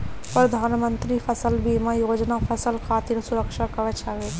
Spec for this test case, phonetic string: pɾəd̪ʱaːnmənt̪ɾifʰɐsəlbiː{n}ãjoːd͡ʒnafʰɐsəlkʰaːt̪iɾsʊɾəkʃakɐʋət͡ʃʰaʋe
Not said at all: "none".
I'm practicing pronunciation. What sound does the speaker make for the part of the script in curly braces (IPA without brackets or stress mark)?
m